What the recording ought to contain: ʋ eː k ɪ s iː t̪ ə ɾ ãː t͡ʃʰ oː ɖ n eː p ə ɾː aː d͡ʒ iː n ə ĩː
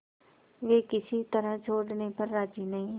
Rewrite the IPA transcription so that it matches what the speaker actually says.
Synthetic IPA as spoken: ʋ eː k ɪ s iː t̪ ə ɾ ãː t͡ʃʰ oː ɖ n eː p ə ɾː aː d͡ʒ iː n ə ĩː